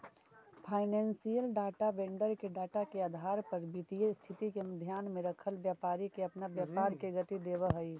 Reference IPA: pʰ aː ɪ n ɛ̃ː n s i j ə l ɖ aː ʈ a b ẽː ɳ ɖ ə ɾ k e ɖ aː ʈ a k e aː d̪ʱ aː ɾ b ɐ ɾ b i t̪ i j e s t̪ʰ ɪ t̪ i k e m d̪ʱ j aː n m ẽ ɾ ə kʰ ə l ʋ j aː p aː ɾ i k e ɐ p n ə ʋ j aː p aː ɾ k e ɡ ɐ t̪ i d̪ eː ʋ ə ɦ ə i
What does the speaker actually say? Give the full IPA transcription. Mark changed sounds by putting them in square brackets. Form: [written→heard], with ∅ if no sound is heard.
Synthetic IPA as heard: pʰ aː ɪ n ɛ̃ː n s i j ə l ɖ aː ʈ a b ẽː ɳ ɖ ə ɾ k e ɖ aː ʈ a k e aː d̪ʱ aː ɾ [b→p] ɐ ɾ b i t̪ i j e s t̪ʰ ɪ t̪ i k e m d̪ʱ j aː n m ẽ ɾ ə kʰ ə l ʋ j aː p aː ɾ i k e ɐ p n [ə→a] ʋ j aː p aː ɾ k e ɡ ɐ t̪ i d̪ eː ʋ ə ɦ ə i